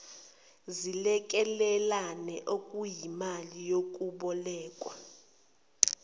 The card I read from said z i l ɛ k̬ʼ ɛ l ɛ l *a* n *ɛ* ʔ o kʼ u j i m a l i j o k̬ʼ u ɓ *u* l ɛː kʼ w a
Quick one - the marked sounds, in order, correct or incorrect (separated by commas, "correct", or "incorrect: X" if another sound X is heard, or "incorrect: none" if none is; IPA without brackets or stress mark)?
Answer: correct, correct, incorrect: ɔ